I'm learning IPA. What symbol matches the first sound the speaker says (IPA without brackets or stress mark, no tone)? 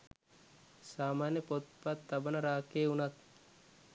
s